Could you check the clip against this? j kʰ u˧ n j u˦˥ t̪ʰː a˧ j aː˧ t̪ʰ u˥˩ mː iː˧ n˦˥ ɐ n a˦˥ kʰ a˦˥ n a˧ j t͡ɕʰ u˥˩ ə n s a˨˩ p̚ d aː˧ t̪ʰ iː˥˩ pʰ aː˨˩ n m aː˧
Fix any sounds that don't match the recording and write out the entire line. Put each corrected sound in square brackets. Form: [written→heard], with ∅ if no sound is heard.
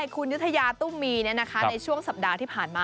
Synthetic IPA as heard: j kʰ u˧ n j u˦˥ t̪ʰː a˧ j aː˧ [t̪ʰ→t̪] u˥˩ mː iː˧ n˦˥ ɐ n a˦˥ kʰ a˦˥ n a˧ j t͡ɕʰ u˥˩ ə [n→ŋ] s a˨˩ p̚ d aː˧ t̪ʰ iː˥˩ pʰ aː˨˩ n m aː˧